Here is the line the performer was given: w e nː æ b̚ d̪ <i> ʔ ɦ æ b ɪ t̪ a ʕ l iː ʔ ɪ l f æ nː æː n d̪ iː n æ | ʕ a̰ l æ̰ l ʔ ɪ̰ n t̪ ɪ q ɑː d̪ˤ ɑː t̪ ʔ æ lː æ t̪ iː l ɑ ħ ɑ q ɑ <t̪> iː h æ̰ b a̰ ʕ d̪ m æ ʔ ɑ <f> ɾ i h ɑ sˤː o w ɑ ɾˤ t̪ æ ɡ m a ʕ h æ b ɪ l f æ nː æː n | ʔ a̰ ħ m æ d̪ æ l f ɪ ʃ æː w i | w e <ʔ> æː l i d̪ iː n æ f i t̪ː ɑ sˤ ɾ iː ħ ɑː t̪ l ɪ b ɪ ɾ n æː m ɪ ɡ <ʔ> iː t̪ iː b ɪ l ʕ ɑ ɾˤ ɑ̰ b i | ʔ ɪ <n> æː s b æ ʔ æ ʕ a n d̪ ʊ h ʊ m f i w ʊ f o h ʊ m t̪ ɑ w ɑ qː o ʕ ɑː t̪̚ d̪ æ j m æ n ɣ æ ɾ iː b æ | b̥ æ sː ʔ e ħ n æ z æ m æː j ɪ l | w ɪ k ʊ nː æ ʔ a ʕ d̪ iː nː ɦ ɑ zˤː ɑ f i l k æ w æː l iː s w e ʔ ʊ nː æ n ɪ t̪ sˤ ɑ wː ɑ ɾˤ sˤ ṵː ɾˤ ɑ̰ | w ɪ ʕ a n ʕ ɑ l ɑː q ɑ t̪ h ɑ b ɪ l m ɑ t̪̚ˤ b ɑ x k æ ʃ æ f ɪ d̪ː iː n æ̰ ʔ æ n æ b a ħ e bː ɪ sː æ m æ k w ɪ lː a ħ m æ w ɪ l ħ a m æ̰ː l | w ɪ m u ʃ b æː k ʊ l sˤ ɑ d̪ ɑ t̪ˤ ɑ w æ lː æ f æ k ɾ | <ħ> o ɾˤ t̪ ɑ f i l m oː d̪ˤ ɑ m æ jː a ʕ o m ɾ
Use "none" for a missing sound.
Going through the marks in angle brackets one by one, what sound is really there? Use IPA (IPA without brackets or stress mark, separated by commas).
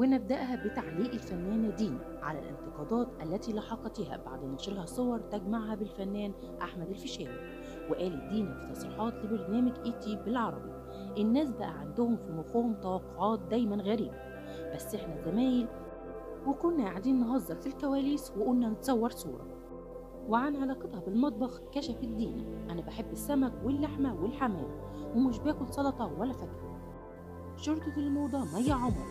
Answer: æ, t̪, ʃ, ʔ, ʔ, nː, ʃ